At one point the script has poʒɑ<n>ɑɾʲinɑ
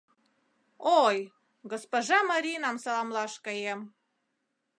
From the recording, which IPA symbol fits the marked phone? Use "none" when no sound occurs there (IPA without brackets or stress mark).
m